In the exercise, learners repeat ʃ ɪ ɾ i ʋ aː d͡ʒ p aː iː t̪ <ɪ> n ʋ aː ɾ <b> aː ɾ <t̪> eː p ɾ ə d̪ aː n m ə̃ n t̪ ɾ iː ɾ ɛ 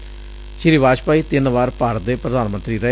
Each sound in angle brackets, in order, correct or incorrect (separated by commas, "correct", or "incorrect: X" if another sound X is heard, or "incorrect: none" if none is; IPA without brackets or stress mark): correct, incorrect: p, incorrect: d̪